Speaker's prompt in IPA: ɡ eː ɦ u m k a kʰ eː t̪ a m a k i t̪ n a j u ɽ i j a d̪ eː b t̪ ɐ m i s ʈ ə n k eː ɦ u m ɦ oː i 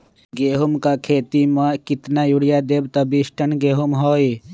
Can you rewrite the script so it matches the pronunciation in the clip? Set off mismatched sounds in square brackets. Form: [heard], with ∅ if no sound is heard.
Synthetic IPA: ɡ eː ɦ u m k a kʰ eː t̪ [i] m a k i t̪ n a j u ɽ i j a d̪ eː b t̪ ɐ [b] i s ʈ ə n [ɡ] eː ɦ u m ɦ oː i